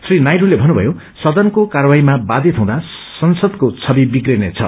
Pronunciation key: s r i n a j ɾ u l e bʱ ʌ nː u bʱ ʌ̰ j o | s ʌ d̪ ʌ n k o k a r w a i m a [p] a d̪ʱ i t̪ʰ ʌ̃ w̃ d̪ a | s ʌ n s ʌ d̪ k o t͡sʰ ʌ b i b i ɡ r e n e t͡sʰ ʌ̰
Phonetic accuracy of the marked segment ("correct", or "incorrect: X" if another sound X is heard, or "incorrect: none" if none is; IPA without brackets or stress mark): incorrect: b